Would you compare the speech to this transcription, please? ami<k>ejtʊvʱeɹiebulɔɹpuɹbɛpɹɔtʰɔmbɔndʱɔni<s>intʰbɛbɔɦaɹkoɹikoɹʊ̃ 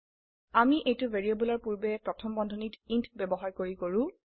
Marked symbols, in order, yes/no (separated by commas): no, no